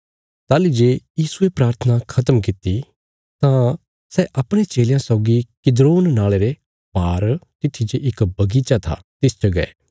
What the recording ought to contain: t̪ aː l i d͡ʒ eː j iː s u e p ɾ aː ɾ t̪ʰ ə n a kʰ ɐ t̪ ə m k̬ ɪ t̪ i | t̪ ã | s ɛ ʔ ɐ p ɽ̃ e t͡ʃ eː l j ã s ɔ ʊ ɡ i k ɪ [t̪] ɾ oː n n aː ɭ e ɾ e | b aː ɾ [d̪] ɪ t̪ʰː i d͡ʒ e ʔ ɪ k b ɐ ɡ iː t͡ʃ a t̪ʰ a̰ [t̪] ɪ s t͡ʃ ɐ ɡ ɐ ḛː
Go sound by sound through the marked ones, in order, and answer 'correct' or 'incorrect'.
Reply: incorrect: d̪, incorrect: t̪, correct

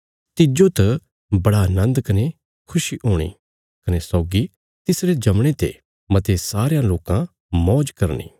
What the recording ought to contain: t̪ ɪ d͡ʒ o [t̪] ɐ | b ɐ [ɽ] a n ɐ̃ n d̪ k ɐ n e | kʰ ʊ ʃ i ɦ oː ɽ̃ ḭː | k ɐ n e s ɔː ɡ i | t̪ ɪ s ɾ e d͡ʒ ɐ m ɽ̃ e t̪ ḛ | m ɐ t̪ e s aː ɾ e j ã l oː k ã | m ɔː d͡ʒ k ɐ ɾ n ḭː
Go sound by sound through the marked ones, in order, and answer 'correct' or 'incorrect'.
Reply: correct, correct

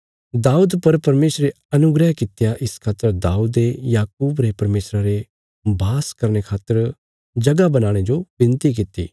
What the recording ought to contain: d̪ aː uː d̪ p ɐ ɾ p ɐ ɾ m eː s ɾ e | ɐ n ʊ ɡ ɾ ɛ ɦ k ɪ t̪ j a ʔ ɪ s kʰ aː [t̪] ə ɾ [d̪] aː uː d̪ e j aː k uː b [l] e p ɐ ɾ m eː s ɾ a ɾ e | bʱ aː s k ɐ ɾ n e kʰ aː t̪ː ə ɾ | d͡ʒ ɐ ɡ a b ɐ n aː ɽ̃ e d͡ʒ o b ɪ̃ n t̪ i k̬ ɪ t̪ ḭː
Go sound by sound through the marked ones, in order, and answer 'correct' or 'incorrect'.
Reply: correct, correct, incorrect: ɾ

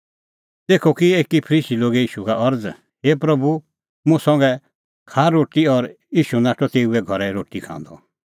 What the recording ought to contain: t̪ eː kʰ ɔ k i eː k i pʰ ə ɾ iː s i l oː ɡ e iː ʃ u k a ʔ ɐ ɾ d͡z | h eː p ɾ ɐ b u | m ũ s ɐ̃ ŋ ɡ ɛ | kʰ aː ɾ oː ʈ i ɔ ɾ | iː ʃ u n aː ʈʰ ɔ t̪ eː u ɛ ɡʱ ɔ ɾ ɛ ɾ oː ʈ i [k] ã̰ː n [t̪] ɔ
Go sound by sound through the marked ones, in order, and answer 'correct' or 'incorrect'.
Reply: incorrect: kʰ, incorrect: d̪

